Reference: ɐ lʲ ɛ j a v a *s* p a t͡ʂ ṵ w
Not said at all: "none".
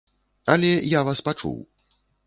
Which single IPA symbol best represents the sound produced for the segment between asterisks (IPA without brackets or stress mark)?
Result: s